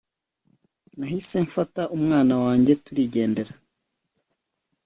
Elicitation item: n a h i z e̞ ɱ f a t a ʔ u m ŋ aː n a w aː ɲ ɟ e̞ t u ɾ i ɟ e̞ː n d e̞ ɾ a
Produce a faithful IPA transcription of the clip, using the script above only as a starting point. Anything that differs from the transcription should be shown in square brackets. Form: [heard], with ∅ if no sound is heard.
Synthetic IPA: n a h i [s] e̞ ɱ f a t a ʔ u m ŋ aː n a w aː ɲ ɟ e̞ t u ɾ i ɟ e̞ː n d e̞ ɾ a